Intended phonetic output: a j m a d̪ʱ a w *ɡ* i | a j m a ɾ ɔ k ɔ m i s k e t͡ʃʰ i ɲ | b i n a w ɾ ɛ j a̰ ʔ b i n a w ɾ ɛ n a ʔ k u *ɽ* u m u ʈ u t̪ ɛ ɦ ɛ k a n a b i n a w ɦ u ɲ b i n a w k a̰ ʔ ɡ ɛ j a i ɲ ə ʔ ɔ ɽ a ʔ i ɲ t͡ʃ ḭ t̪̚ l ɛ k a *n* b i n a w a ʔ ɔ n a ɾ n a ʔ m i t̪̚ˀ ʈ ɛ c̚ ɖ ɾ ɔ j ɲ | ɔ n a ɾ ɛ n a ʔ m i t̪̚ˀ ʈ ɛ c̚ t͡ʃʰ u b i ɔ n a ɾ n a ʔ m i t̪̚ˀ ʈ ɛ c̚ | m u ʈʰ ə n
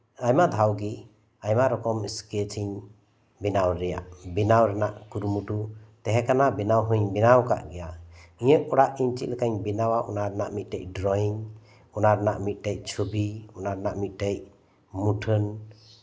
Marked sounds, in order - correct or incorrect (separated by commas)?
correct, incorrect, incorrect